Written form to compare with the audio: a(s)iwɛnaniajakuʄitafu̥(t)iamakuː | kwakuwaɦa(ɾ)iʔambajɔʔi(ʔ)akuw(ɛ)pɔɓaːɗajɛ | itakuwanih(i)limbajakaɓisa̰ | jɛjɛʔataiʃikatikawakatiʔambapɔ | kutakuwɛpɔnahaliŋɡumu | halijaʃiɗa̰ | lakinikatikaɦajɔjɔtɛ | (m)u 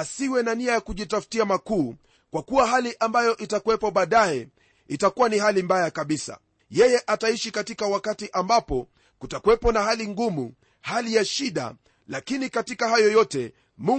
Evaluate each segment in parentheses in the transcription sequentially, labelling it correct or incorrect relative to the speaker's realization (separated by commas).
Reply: correct, correct, incorrect, incorrect, correct, incorrect, correct